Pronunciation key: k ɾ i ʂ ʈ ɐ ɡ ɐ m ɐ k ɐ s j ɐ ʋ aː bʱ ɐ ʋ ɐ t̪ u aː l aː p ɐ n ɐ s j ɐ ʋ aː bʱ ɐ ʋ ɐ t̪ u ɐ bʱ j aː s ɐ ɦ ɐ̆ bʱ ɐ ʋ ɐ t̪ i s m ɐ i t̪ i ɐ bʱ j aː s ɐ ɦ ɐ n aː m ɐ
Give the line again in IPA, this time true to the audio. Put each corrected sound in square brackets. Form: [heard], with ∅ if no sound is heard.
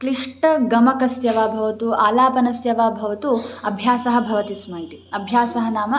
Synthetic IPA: k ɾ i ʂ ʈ ɐ ɡ ɐ m ɐ k ɐ s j ɐ ʋ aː bʱ ɐ ʋ ɐ t̪ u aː l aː p ɐ n ɐ s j ɐ ʋ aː bʱ ɐ ʋ ɐ t̪ u ɐ bʱ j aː s ɐ ɦ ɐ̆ bʱ ɐ ʋ ɐ t̪ i s m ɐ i t̪ i ɐ bʱ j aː s ɐ ɦ ɐ n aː m ɐ